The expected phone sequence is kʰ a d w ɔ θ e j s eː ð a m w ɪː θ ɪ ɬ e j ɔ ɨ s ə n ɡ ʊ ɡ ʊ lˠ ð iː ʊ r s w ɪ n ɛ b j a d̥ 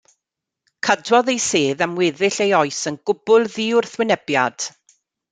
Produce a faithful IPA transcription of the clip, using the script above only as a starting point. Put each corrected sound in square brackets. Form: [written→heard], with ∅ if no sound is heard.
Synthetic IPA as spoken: kʰ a d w ɔ [θ→ð] e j s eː ð a m w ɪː [θ→ð] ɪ ɬ e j ɔ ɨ s ə n ɡ ʊ [ɡ→b] ʊ lˠ ð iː ʊ r [s→θ] w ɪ n ɛ b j a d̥